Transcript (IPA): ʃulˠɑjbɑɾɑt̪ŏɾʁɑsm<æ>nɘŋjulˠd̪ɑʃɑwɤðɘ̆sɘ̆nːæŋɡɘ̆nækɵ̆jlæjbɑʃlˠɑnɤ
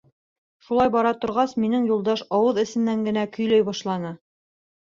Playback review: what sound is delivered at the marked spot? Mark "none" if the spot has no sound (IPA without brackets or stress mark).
i